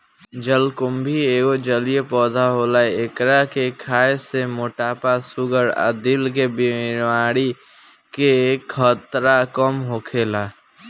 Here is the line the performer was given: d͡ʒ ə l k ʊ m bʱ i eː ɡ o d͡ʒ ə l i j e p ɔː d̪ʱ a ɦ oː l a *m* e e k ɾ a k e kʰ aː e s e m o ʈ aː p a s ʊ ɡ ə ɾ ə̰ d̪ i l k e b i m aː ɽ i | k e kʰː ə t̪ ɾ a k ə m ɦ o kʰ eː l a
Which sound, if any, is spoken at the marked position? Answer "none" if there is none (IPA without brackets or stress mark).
none